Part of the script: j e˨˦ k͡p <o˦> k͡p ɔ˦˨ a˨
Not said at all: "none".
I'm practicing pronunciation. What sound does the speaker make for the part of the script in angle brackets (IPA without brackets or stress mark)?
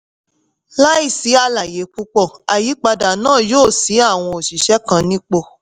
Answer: u˦